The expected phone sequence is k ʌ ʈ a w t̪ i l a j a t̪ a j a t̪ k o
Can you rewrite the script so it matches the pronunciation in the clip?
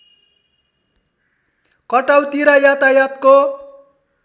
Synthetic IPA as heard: k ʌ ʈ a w t̪ i ɾ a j a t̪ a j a t̪ k o